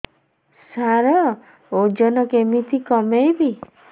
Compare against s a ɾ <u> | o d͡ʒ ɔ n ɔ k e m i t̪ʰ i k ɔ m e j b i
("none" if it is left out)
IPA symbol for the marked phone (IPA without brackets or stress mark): ɔ